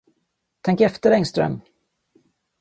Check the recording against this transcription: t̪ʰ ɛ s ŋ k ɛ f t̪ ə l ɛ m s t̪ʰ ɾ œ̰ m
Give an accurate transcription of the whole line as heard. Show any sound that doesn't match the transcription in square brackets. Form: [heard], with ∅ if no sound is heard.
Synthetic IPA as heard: t̪ʰ ɛ [∅] ŋ k ɛ f t̪ ə [ɾ] ɛ [ŋ] s [t̪] ɾ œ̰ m